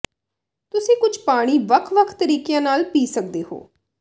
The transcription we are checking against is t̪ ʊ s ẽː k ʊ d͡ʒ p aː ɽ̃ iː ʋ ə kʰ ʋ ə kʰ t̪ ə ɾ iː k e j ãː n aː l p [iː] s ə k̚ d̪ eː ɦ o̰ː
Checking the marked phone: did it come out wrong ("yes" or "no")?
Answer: no